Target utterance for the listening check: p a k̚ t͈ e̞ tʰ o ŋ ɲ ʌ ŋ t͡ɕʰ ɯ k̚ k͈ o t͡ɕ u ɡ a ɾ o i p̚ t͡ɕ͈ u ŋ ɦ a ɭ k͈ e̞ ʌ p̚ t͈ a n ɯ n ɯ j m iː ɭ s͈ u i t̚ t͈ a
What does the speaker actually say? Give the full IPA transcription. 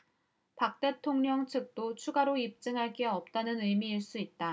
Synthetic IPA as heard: p a k̚ t͈ e̞ tʰ o ŋ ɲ ʌ ŋ t͡ɕʰ ɯ k̚ t͈ o t͡ɕʰ u ɡ a ɾ o i p̚ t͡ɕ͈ ɯ ŋ ɦ a ɭ k͈ e̞ ʌ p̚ t͈ a n ɯ n ɯ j m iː ɭ s͈ u i t̚ t͈ a